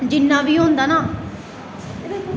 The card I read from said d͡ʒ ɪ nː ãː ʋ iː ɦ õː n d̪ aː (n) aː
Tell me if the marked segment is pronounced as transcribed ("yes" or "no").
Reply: yes